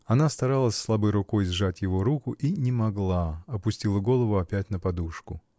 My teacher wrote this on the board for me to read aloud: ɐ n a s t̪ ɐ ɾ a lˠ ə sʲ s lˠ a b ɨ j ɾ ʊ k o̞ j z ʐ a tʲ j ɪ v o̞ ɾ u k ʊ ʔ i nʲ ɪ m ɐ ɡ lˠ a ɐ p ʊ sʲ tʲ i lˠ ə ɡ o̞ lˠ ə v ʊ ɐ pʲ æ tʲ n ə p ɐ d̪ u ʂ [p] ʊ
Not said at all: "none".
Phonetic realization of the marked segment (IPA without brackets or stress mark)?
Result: k